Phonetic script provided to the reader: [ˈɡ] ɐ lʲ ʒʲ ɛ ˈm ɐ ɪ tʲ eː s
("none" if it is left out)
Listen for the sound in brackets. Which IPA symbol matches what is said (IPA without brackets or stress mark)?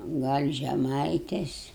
ɡ